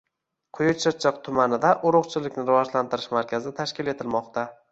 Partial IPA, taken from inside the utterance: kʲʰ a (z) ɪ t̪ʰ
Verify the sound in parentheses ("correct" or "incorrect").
correct